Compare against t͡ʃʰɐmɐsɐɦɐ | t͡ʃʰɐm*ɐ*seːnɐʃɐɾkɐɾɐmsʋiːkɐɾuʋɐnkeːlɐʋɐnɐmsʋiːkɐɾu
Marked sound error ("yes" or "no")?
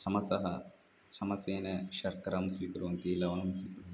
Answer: no